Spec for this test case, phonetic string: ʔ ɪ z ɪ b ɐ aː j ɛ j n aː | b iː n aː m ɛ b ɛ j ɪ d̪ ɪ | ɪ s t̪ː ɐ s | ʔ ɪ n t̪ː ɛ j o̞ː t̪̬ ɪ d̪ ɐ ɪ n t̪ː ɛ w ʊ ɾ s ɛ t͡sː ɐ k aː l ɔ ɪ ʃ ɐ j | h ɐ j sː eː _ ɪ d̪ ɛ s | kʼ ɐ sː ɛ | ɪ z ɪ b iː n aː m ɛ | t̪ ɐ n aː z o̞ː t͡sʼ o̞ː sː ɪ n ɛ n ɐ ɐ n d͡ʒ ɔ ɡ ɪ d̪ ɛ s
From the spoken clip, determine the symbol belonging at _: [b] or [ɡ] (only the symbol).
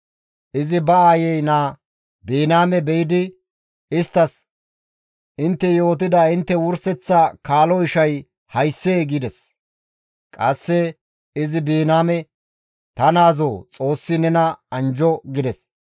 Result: ɡ